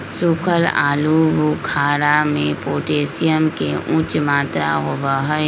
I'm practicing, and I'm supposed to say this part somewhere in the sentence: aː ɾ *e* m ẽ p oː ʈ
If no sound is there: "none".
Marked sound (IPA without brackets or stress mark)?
a